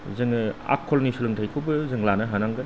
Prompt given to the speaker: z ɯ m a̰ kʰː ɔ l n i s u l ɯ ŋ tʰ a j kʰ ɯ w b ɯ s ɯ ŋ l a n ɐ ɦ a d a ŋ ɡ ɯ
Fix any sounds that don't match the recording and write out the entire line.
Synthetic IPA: z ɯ ŋ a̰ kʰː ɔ l n i s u l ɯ ŋ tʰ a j kʰ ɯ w b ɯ z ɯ ŋ l a n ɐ ɦ a n a ŋ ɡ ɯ